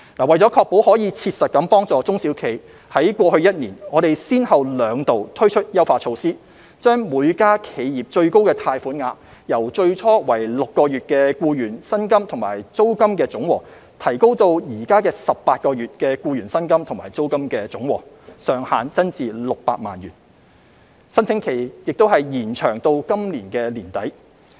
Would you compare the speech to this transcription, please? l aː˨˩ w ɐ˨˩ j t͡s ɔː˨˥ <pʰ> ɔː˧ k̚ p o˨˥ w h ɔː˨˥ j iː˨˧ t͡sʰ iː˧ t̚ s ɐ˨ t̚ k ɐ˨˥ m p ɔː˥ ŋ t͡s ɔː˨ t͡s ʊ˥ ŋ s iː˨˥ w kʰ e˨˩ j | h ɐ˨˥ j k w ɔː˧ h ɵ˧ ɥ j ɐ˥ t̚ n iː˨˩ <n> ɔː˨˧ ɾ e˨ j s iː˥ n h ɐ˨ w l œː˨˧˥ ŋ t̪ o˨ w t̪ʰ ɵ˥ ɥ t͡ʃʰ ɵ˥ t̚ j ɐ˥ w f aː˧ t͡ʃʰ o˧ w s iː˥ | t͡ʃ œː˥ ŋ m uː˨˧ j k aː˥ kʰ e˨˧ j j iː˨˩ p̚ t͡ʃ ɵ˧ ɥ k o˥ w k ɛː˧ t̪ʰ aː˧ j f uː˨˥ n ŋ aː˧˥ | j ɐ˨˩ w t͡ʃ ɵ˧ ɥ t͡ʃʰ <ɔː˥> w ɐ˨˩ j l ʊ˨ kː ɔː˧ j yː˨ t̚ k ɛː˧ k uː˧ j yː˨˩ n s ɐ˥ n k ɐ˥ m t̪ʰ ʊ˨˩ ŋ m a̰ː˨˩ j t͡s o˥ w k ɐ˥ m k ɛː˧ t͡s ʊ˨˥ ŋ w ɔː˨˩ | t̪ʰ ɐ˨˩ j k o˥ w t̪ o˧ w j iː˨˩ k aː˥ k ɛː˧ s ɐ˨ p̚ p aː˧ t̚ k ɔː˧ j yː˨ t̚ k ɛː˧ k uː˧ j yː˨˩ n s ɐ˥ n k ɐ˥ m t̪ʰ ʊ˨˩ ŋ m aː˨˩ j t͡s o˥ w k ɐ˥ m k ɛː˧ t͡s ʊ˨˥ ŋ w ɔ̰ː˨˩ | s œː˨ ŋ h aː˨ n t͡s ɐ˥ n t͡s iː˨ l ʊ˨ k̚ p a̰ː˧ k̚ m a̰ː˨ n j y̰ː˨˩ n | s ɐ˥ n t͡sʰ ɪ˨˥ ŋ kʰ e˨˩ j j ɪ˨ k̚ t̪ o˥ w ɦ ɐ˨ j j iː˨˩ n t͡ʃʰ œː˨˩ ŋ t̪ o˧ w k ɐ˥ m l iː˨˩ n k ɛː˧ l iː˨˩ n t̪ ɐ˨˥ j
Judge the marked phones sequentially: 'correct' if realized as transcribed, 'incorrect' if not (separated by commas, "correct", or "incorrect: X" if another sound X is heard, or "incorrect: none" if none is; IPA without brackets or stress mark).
incorrect: kʰ, correct, correct